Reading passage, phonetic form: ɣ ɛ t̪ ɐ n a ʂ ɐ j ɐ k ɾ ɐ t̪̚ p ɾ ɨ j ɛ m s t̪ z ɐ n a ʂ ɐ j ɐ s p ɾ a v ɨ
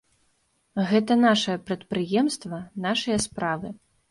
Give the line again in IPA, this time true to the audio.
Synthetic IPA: ɣ ɛ t̪ ɐ n a ʂ ɐ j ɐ p ɾ ɐ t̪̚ p ɾ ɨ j ɛ m s t̪ v ɐ n a ʂ ɐ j ɐ s p ɾ a v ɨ